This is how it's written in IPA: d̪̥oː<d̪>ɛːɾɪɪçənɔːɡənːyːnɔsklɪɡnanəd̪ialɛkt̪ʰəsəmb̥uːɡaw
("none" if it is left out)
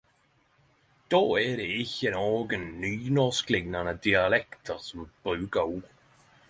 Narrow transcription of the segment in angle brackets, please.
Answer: none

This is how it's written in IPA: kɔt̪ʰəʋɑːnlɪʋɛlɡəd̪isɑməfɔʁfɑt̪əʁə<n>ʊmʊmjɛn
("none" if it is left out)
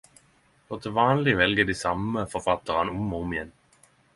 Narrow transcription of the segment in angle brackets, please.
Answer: n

